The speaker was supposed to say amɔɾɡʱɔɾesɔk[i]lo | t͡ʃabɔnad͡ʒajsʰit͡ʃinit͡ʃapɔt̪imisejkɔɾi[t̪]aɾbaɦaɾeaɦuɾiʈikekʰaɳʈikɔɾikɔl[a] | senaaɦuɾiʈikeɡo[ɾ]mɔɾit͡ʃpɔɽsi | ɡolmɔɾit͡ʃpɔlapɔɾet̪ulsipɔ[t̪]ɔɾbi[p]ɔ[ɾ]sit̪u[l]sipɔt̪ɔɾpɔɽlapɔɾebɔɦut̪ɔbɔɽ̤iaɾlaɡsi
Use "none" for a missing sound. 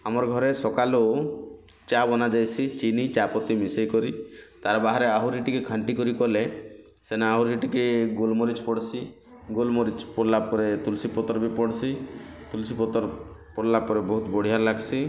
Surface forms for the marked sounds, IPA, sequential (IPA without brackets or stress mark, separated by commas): a, t̪, e, l, t̪, p, ɽ, l